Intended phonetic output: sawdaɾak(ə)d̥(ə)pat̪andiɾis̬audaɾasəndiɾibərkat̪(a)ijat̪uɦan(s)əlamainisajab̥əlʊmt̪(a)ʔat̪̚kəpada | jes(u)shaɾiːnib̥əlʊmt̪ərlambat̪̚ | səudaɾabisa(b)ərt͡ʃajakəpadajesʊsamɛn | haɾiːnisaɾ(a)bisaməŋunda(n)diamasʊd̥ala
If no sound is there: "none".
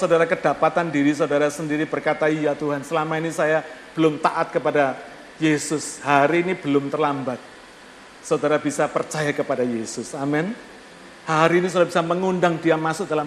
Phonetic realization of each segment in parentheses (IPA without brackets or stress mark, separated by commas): ə, a, a, s, a, ʊ, p, a, ŋ